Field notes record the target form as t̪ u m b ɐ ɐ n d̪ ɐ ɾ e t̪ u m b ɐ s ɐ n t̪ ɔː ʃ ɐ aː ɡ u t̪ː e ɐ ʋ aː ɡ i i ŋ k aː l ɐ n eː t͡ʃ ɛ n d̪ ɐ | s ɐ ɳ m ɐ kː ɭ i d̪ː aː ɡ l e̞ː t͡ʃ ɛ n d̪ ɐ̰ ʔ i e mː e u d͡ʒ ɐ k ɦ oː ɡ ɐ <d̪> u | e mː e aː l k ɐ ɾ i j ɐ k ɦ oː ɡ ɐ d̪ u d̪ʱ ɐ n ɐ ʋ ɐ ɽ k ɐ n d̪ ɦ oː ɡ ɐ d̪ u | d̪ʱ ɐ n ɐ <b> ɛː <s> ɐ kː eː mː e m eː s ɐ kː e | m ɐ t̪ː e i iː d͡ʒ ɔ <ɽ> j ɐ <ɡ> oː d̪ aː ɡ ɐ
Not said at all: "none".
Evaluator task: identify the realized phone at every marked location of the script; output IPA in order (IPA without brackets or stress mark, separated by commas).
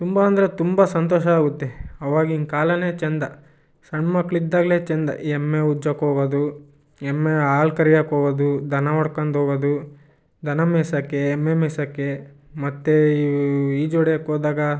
d̪, m, s, ɽ, k